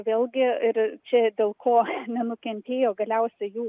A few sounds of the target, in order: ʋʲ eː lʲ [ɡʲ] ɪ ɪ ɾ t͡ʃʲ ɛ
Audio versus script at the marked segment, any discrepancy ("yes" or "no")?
no